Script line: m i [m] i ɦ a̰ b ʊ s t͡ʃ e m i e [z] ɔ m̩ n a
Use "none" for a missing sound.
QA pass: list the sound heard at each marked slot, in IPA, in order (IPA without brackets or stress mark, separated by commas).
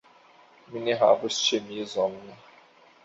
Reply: n, z